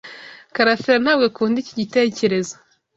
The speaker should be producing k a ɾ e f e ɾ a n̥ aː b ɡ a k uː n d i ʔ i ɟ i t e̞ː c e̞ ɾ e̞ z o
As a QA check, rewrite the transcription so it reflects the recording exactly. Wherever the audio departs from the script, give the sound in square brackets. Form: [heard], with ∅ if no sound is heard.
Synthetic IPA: k a ɾ [a] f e ɾ a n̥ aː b ɡ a k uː n d i [c] i ɟ i t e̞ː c e̞ ɾ e̞ z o